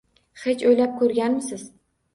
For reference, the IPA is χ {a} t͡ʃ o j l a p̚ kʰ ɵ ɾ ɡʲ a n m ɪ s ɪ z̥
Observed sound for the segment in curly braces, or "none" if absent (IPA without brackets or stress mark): e